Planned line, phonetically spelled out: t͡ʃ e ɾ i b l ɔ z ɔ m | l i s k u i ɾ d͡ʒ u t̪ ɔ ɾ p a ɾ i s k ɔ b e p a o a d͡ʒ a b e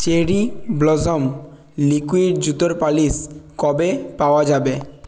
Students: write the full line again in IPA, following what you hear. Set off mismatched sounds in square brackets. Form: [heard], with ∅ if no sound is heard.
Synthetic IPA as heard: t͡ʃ e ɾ i b l ɔ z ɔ m | l i [∅] k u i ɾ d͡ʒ u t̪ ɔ ɾ p a [l] i s k ɔ b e p a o a d͡ʒ a b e